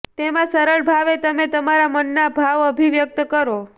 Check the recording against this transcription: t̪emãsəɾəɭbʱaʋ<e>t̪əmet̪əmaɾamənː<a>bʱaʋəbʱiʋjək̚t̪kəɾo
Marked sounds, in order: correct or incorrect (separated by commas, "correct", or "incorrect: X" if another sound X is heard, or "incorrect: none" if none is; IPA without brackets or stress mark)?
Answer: correct, correct